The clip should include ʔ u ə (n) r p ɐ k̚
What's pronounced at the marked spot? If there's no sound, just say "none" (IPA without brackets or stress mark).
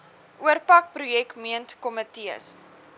none